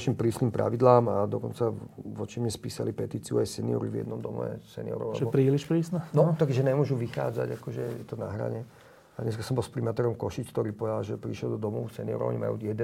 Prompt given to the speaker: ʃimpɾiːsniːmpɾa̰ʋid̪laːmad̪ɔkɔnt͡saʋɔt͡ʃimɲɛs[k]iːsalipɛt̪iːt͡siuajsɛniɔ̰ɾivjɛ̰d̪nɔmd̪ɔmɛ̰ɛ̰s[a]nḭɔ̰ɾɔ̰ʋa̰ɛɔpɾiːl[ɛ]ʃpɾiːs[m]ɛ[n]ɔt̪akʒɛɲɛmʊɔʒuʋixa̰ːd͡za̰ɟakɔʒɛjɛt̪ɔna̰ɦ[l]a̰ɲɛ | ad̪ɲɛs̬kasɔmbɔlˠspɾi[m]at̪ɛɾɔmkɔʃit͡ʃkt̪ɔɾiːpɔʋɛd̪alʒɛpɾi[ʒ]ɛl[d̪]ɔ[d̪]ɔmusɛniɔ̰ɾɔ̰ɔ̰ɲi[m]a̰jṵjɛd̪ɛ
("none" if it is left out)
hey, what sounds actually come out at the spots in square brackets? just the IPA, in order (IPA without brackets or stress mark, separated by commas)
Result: p, ɛ, i, n, n, ɾ, m, ʃ, d̪, d̪, m